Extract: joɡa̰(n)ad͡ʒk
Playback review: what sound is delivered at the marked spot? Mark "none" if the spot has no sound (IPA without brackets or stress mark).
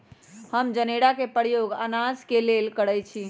n